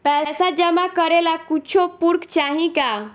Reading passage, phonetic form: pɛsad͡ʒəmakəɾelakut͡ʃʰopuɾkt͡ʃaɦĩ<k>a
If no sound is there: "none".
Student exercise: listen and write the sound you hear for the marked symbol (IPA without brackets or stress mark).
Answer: k